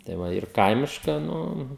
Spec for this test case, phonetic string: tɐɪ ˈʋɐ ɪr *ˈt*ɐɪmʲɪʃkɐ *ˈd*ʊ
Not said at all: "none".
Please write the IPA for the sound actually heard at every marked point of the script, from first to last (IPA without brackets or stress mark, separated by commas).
k, n